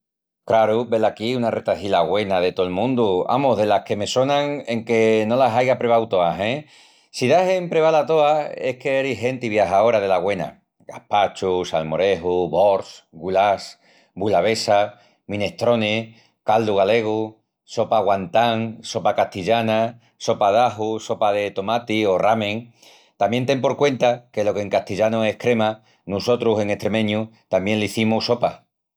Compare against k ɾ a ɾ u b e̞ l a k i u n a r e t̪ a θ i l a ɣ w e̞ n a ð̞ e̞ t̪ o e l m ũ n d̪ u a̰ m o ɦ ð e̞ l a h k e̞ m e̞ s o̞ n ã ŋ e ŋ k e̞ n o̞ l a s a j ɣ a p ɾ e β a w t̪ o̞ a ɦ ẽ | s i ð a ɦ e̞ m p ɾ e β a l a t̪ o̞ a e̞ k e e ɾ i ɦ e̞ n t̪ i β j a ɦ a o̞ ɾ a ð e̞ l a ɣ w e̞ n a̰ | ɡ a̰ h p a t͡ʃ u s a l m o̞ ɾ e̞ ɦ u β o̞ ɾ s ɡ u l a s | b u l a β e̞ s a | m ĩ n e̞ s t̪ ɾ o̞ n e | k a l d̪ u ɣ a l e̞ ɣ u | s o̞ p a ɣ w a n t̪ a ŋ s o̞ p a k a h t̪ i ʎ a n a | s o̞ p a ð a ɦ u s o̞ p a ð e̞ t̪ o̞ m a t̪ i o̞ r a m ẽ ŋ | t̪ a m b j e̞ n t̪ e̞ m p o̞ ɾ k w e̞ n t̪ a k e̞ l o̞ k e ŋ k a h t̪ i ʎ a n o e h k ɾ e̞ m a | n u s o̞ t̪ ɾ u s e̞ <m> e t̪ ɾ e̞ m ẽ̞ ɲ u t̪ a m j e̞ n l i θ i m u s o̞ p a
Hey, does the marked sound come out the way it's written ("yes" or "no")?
no